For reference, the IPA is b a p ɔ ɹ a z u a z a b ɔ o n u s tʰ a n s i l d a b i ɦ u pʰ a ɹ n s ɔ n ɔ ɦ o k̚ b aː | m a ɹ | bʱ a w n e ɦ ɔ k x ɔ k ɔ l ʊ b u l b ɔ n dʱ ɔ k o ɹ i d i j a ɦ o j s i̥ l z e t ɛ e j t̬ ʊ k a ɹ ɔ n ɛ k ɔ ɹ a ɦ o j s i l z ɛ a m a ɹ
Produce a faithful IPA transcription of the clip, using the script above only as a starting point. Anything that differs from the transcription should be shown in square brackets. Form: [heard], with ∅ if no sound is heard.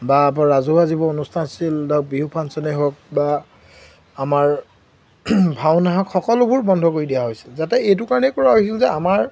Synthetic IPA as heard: b a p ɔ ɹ a z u a z [i] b ɔ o n u s tʰ a n s i l d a b i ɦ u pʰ a [∅] n s ɔ n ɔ ɦ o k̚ b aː | m a ɹ | bʱ a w n [a] ɦ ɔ k x ɔ k ɔ l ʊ b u [ɹ] b ɔ n dʱ ɔ k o ɹ i d i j a ɦ o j s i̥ l z [a] t ɛ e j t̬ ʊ k a ɹ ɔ n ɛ k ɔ ɹ a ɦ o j s i l z ɛ a m a ɹ